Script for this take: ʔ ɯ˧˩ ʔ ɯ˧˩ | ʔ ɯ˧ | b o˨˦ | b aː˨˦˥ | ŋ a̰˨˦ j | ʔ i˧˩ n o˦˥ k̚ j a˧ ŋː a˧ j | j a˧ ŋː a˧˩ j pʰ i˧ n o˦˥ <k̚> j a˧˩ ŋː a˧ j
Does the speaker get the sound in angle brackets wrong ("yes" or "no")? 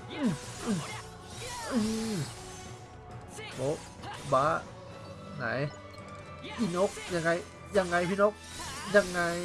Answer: no